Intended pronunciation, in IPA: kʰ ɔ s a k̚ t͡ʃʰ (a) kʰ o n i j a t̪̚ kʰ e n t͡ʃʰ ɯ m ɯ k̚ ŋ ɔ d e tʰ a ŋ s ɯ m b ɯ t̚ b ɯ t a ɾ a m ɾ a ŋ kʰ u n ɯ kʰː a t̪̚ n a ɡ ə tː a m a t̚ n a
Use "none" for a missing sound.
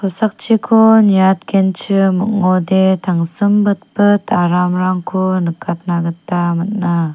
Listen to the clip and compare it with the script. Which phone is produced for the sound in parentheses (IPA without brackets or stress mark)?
i